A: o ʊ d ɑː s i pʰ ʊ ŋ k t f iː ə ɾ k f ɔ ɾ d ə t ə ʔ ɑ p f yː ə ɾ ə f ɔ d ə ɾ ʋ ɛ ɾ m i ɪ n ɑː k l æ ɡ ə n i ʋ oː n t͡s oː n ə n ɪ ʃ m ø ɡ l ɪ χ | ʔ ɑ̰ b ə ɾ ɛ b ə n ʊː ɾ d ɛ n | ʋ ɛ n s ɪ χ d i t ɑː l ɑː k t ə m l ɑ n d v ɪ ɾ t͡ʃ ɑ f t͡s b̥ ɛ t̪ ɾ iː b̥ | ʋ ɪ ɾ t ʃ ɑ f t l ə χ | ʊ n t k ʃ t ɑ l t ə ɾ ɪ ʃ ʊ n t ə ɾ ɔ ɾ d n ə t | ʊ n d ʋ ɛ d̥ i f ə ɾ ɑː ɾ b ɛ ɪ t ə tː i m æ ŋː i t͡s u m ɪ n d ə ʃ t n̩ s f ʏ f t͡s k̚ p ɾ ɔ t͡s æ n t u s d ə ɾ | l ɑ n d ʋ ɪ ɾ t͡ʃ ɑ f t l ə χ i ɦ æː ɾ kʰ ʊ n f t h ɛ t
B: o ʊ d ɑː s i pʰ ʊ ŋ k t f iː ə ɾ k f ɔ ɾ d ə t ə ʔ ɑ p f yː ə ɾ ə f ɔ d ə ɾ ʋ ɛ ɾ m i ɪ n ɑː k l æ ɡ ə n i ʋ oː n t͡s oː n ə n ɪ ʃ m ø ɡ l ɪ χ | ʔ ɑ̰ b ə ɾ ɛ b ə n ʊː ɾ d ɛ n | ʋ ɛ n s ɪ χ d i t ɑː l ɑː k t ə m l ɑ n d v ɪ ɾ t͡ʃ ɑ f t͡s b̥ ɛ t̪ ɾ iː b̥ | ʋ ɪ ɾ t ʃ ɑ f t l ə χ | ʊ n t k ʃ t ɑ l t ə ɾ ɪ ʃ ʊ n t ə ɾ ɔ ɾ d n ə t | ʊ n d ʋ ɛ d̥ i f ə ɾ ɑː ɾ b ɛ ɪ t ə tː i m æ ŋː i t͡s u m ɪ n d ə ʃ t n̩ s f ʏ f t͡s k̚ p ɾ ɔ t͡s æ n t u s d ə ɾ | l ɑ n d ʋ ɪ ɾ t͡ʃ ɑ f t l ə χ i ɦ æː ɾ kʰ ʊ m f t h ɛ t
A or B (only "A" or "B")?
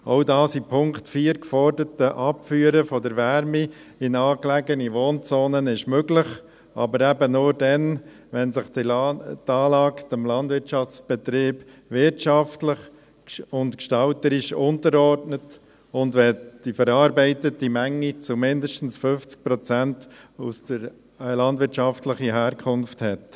A